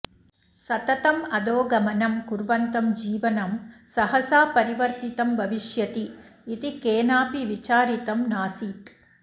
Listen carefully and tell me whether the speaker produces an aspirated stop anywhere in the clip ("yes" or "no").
no